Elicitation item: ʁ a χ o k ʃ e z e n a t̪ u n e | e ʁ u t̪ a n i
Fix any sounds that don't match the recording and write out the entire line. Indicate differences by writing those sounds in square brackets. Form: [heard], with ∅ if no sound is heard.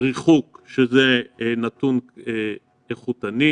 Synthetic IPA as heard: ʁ [i] χ [u] k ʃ e z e n a t̪ u n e | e [χ] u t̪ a n i

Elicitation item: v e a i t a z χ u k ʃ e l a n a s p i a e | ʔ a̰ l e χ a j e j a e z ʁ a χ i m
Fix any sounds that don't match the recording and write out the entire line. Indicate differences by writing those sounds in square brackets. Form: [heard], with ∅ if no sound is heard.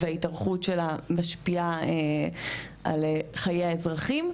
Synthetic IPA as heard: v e a i t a [ʁ] χ u [t] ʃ e l a [m] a [ʃ] p i a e | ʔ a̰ l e χ a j e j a e z ʁ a χ i m

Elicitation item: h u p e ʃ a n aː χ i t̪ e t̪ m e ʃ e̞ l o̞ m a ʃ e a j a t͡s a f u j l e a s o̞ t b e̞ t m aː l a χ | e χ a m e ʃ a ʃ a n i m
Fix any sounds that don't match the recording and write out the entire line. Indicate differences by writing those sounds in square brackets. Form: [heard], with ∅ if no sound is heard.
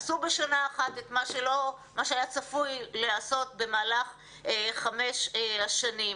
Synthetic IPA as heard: [s] u [b] e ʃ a n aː χ [a] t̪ e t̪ m [a] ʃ e̞ l o̞ m a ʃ e a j a t͡s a f u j l e a s o̞ t b e̞ [∅] m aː l a χ | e χ a m e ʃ a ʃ a n i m

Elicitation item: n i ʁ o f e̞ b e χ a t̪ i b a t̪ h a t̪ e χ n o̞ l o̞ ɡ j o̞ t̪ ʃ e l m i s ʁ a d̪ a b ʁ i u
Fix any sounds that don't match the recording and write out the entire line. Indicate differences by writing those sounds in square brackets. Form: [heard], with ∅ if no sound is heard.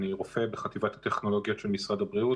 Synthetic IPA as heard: n i ʁ o f e̞ b e χ a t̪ i [v] a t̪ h a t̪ e χ n o̞ l o̞ ɡ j o̞ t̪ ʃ e l m i s ʁ a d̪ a b ʁ i u

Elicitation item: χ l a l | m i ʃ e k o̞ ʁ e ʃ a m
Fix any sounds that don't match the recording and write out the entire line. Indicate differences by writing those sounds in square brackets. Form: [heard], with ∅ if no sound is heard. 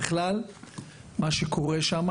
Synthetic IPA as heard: χ l a l | m [a] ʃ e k o̞ ʁ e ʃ a m

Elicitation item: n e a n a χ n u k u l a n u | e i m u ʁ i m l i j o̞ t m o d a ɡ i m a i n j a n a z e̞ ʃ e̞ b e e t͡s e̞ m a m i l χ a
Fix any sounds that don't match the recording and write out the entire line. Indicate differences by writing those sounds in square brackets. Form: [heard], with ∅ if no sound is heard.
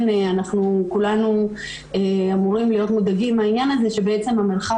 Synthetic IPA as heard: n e a n a χ n u k u l a n u | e [a] m u ʁ i m l i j o̞ t m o d a ɡ i m a i n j a n a z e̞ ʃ e̞ b e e t͡s e̞ m a m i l χ a

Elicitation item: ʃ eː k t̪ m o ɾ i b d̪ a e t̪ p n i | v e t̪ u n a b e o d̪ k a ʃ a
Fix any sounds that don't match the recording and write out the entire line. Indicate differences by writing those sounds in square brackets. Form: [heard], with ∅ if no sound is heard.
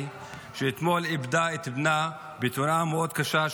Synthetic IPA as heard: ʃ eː [∅] t̪ m o [l] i b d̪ a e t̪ [b] n [a] | [b] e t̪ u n a [m] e o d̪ k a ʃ a

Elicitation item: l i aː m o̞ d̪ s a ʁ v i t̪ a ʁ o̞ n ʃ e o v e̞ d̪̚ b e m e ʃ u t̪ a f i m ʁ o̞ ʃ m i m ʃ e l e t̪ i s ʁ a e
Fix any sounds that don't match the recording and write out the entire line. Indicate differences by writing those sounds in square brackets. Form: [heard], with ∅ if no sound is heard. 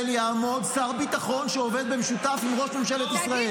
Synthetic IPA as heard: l [j] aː m o̞ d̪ s a ʁ [b] i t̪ a [χ] o̞ n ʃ e o v e̞ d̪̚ b e m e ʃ u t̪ a f i m ʁ o̞ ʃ m [e] m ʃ e l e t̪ i s ʁ a e

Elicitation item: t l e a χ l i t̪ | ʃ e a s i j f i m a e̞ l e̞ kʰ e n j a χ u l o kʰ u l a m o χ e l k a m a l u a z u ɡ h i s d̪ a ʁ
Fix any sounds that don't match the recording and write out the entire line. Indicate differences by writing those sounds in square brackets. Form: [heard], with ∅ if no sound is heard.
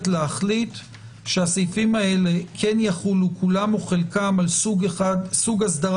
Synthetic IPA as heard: t l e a χ l i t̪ | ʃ e a s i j f i m a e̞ l e̞ kʰ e n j a χ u l [u] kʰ u l a m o χ e l k a m a l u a [s] u ɡ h [a] s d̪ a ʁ

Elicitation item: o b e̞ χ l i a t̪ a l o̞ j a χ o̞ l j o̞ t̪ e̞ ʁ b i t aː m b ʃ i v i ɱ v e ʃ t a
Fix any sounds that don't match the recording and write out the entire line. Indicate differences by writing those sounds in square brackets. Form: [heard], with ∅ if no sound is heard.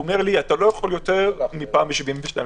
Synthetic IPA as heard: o [m] e̞ [ʁ] l i a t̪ a l o̞ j a χ o̞ l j o̞ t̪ e̞ ʁ [m] i [p] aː m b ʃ i v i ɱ v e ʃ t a

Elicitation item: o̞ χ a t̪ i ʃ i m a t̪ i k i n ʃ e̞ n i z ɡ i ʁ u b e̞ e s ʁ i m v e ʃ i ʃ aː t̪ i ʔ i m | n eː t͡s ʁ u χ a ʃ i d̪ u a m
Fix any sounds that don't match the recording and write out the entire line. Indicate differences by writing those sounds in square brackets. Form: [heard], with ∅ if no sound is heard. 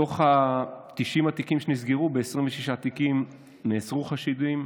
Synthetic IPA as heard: o̞ χ a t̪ i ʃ i m a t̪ i k i [m] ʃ e̞ n i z ɡ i ʁ u b e̞ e s ʁ i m v e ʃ i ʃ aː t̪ i [k] i m | n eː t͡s ʁ u χ a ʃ i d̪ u [i] m

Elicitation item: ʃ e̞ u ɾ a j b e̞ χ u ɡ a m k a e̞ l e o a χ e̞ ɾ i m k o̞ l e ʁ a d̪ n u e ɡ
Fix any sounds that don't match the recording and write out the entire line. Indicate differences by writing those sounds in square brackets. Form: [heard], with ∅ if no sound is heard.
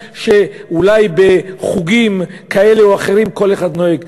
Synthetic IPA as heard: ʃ e̞ u [l] a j b e̞ χ u ɡ [i] m k a e̞ l e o a χ e̞ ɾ i m k o̞ l e [χ] a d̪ n [o] e ɡ

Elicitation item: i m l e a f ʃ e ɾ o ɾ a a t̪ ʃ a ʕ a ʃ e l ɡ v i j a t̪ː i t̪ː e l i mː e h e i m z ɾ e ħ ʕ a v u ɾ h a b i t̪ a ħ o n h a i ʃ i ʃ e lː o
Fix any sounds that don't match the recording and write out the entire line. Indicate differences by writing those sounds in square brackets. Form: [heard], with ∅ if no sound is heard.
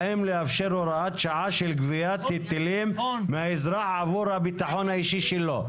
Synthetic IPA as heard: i m l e a f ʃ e ɾ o ɾ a a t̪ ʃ a ʕ a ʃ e l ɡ v i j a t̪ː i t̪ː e l i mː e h [a] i [∅] z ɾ [a] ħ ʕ a v u ɾ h a b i t̪ a ħ o n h a i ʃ i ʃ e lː o

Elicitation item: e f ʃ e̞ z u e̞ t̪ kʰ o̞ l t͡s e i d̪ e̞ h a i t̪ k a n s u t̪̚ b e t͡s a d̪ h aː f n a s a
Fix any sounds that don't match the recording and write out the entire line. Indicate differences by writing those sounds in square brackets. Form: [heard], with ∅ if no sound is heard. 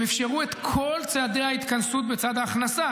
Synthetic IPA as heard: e f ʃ e̞ [ʁ] u e̞ t̪ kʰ o̞ l t͡s e [a] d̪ e̞ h a i t̪ k a n s u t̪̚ b e t͡s a d̪ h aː [χ] n a s a

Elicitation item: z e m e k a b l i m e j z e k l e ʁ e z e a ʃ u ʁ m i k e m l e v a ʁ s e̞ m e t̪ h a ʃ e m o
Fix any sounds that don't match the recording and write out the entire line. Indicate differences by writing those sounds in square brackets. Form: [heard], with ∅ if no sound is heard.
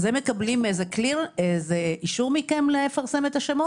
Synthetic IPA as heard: z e m e k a b l i m e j z e k l [i] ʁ e z e [i] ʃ u ʁ m i k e m l e [f] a ʁ s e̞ m e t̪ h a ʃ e m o

